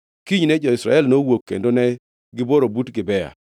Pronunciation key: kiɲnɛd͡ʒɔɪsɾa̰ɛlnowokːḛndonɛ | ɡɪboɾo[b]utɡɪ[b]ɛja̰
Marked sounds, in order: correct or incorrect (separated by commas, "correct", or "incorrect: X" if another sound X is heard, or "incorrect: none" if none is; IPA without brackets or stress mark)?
correct, correct